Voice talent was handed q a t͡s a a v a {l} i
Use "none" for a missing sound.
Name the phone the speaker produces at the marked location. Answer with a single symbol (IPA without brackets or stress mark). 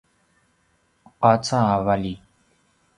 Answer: l